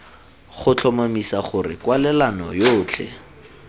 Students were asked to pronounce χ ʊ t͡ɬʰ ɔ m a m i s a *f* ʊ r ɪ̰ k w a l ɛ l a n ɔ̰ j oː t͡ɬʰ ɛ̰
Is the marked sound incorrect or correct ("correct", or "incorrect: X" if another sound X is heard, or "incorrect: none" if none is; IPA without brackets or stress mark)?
incorrect: χ